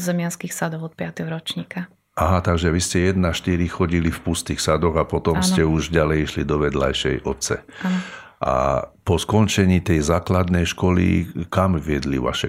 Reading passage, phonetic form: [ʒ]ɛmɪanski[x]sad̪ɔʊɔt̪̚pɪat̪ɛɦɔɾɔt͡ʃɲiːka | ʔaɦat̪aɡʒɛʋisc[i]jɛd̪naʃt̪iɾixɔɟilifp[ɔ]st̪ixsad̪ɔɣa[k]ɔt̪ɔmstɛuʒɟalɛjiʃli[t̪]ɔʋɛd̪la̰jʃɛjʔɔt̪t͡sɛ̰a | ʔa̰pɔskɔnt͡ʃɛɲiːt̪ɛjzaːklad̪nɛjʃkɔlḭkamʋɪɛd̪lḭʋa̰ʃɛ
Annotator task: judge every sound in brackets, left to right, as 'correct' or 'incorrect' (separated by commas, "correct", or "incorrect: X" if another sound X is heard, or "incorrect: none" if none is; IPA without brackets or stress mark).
incorrect: z, correct, incorrect: ɛ, incorrect: u, incorrect: p, incorrect: d̪